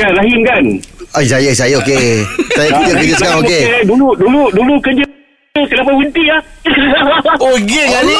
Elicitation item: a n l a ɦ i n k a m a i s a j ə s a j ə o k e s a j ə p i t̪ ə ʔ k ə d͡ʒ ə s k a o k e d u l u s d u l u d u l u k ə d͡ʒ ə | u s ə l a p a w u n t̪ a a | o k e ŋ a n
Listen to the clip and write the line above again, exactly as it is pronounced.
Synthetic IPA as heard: a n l a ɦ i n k a n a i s a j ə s a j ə o k e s a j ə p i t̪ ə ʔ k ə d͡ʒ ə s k a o k e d u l u d u l u d u l u k ə d͡ʒ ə | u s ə l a p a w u n t̪ i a | o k e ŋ a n